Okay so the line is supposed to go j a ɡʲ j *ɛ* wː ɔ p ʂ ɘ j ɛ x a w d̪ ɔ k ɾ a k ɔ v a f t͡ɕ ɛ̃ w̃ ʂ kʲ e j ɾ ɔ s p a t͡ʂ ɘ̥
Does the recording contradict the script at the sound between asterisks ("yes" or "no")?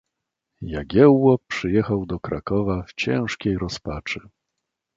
no